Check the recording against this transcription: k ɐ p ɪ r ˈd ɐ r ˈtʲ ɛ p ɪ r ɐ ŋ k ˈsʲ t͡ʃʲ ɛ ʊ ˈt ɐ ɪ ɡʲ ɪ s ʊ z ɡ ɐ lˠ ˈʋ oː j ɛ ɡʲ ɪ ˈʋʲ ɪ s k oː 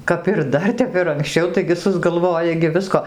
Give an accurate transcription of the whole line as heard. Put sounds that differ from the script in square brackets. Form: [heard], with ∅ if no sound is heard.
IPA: k ɐ p ɪ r ˈd ɐ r ˈtʲ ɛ p ɪ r ɐ ŋ k ˈsʲ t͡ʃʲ ɛ ʊ ˈt ɐ ɪ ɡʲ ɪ s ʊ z ɡ ɐ lˠ ˈʋ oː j ɛ ɡʲ ɪ ˈʋʲ ɪ s k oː